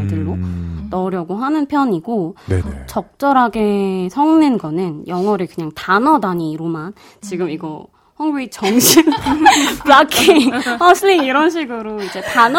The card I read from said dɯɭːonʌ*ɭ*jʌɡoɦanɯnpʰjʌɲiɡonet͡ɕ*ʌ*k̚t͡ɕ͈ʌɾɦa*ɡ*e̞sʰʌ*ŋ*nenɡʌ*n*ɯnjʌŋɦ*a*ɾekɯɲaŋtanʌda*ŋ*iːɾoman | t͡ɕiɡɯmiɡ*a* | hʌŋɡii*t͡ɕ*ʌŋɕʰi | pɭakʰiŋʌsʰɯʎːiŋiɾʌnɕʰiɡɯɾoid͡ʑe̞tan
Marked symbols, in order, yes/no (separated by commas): no, yes, yes, yes, yes, no, no, no, yes